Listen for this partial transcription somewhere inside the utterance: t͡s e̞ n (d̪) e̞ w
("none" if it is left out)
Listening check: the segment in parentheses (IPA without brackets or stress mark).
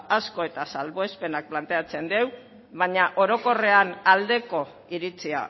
d̪